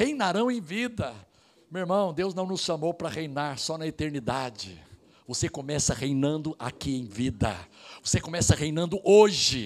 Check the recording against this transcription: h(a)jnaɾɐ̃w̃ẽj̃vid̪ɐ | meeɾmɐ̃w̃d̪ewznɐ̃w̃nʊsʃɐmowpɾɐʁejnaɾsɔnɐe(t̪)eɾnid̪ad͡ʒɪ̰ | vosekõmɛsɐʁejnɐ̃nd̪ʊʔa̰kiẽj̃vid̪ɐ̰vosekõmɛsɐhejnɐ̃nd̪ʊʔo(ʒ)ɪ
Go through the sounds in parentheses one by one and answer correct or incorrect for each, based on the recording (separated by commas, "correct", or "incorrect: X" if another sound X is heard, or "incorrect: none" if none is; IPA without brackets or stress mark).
incorrect: e, correct, correct